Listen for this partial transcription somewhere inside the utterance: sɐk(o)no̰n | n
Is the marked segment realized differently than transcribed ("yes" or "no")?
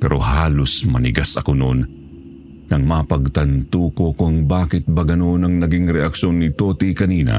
no